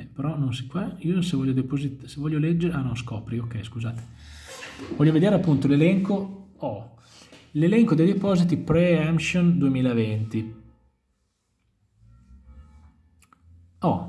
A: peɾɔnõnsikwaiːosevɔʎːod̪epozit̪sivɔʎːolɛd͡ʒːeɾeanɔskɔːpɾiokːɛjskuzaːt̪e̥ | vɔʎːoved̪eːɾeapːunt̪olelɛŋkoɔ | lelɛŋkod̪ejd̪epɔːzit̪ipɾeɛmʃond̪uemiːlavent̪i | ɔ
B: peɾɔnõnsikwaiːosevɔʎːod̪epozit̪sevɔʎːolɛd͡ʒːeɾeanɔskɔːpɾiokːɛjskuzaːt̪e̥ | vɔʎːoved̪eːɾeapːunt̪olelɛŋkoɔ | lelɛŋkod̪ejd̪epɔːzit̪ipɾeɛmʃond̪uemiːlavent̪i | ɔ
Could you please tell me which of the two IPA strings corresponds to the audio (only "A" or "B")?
B